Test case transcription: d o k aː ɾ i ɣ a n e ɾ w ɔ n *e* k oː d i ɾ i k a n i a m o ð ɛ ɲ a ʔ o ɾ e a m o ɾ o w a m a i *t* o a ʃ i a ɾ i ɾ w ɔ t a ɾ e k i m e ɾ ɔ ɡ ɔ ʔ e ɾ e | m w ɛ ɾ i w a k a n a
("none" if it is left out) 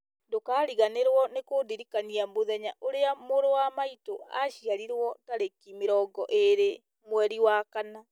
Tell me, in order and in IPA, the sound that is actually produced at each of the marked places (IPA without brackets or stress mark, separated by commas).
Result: e, t